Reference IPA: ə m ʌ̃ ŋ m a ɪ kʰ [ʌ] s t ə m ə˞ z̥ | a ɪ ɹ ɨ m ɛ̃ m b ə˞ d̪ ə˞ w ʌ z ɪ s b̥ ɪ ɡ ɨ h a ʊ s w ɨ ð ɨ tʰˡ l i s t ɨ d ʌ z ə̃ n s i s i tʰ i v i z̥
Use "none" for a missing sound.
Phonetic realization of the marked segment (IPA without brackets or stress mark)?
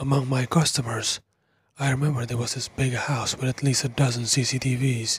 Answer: ʌ